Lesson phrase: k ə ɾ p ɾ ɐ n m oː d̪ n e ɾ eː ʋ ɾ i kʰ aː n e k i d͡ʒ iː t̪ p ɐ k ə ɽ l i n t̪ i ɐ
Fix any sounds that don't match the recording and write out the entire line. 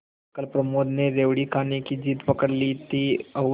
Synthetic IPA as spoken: k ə l p ɾ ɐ m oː d̪ n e ɾ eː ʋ ɽ i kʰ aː n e k i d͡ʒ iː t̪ p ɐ k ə ɽ l i t̪ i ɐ